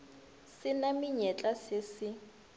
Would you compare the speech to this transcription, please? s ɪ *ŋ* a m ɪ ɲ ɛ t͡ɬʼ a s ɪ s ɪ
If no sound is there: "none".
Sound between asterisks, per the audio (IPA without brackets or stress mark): n